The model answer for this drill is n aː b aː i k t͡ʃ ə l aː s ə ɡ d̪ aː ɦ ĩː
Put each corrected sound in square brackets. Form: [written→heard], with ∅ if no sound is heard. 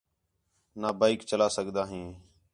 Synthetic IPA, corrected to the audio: n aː b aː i k t͡ʃ ə l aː s ə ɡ d̪ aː ɦ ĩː